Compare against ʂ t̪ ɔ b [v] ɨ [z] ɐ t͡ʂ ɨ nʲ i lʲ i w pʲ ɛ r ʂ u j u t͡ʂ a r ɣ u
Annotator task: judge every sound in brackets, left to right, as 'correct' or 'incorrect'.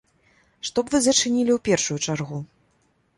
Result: correct, correct

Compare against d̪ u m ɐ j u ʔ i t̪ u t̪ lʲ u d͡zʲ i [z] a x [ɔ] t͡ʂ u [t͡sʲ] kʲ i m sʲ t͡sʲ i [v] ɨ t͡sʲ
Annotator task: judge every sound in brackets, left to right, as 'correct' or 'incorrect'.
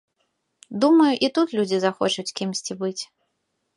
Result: correct, correct, correct, incorrect: b

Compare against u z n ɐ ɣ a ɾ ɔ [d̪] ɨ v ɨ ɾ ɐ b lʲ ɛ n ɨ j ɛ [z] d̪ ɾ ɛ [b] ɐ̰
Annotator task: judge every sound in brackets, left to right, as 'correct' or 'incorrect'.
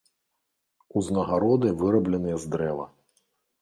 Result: correct, correct, incorrect: v

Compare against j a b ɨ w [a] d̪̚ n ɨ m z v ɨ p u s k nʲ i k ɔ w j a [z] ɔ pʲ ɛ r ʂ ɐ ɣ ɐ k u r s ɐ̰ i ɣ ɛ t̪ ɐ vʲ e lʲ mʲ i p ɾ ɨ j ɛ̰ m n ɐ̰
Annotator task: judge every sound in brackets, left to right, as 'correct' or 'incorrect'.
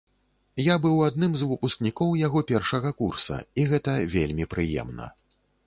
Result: correct, incorrect: ɣ

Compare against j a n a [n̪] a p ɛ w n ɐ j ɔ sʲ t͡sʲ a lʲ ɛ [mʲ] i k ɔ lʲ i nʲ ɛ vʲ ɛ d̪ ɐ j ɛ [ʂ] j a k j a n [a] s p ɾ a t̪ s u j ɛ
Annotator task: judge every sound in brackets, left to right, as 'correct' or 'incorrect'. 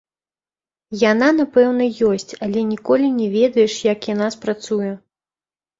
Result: correct, incorrect: nʲ, correct, correct

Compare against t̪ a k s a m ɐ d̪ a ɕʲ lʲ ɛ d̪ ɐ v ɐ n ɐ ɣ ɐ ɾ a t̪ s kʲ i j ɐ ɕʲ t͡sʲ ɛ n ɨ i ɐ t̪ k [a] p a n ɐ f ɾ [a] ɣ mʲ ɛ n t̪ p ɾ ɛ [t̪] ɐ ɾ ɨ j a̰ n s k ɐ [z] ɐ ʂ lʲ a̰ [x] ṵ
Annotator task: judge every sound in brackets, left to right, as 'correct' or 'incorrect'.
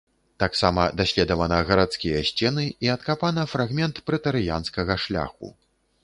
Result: correct, correct, correct, incorrect: ɣ, correct

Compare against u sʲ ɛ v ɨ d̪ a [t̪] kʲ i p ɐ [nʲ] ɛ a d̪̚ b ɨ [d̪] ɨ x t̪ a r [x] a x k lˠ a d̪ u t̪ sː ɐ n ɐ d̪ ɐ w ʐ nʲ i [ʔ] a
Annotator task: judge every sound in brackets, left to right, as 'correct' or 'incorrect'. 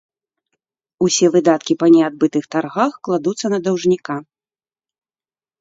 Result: correct, correct, incorrect: t̪, incorrect: ɣ, incorrect: k

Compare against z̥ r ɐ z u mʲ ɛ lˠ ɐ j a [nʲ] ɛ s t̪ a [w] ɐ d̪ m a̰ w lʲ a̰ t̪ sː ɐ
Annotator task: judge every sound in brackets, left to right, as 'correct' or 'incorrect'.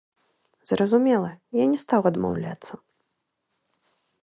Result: correct, correct

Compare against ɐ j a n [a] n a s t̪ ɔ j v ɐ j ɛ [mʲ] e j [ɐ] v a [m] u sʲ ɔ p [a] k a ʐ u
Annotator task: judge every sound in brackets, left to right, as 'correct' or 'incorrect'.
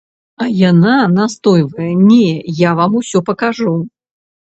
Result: correct, incorrect: nʲ, incorrect: a, correct, incorrect: ɐ

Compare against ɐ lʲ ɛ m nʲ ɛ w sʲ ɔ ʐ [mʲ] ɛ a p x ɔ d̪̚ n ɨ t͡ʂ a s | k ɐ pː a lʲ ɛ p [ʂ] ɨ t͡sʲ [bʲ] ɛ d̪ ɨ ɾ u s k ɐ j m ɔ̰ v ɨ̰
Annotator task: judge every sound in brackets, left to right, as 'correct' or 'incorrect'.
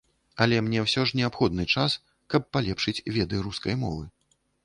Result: incorrect: nʲ, correct, incorrect: vʲ

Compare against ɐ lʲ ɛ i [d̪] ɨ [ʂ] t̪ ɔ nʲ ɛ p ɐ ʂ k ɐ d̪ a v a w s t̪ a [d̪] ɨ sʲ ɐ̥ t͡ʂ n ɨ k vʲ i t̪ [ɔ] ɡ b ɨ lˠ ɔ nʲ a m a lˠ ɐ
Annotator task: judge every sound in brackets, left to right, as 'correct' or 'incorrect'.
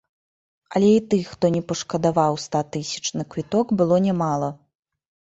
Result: incorrect: t̪, incorrect: x, incorrect: t̪, correct

